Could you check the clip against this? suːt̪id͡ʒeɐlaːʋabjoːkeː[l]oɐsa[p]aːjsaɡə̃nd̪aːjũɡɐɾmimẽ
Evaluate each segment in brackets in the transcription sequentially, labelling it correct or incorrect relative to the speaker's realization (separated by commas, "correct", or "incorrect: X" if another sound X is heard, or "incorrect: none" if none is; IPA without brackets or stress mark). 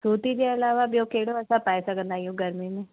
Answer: incorrect: ɽ, correct